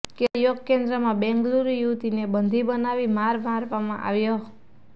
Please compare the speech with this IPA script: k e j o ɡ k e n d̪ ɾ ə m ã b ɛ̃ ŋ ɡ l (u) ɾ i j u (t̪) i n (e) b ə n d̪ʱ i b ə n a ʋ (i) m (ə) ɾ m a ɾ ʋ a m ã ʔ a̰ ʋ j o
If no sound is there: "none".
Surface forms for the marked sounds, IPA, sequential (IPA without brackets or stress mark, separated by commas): u, t̪, e, i, a